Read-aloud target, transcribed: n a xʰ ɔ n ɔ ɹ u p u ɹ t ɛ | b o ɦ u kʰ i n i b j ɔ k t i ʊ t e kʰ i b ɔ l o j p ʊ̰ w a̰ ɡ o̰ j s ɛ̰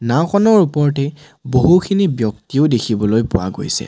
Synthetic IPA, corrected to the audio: n a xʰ ɔ n ɔ ɹ u p ɔ ɹ t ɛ | b o ɦ u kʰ i n i b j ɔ k t i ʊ d e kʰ i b ɔ l o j p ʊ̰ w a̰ ɡ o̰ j s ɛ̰